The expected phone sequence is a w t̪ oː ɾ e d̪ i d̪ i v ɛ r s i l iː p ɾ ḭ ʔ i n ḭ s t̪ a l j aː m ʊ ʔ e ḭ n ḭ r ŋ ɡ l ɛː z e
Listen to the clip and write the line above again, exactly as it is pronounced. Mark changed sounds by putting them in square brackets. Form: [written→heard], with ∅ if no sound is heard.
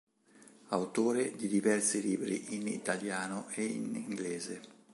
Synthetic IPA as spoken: a w t̪ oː ɾ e d̪ i d̪ i v ɛ r s i l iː [p→b] ɾ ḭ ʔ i n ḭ [s→∅] t̪ a l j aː [m→n] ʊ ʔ e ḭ n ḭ [r→∅] ŋ ɡ l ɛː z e